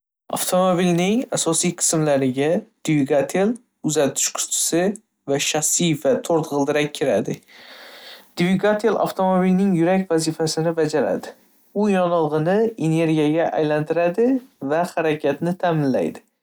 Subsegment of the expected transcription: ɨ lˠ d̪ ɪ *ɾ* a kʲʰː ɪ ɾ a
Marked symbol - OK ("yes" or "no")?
yes